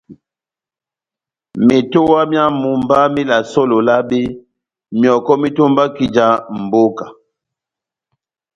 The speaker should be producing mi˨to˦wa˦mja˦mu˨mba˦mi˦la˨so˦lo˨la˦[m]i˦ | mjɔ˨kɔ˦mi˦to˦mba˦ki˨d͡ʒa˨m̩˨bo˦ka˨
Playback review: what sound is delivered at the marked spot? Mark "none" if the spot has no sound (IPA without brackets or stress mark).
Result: b